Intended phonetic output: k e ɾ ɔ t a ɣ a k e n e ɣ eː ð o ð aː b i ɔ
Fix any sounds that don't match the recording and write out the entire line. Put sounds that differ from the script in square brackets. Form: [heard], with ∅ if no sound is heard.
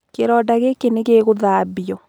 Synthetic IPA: k e ɾ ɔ [d] a ɣ [e] k e n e ɣ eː [ɣ] o ð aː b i ɔ